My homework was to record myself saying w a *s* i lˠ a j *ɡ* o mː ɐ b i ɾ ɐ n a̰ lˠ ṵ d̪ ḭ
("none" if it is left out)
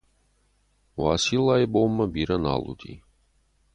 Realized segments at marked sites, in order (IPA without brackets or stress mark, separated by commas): s, b